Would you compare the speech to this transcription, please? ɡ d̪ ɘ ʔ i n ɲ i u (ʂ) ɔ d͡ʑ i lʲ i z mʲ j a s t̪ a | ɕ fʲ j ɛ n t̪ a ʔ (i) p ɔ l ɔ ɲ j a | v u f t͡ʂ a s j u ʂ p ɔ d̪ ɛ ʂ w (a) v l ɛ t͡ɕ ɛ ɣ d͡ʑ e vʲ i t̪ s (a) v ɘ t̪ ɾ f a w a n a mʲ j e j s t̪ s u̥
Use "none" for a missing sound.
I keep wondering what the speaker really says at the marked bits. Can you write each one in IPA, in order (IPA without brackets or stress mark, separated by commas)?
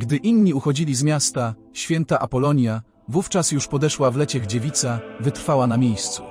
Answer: x, a, a, a